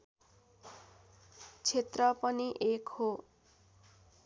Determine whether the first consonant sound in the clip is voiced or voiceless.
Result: voiceless